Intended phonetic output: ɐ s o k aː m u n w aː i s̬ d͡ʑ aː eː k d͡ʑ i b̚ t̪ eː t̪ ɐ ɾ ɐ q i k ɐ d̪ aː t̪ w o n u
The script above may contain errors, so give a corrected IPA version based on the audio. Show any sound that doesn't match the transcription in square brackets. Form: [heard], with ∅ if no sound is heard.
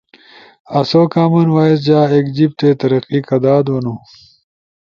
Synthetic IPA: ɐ s o k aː m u n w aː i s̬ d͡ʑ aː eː k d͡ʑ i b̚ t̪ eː t̪ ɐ ɾ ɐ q i k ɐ d̪ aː [d̪] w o n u